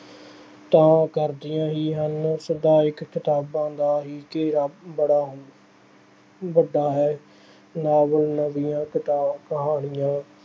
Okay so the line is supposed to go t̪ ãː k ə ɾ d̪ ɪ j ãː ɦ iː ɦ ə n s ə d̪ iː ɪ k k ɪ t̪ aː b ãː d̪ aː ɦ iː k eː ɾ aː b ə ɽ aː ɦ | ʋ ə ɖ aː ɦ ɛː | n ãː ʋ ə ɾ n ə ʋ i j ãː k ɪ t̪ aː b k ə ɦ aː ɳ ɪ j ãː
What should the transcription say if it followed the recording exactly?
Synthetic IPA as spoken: t̪ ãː k ə ɾ d̪ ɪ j ãː ɦ iː ɦ ə n s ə d̪ aː ɪ k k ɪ t̪ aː b ãː d̪ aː ɦ iː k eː ɾ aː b ə ɽ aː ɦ | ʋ ə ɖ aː ɦ ɛː | n aː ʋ ə l n ə ʋ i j ãː k ɪ t̪ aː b k ə ɦ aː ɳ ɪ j ãː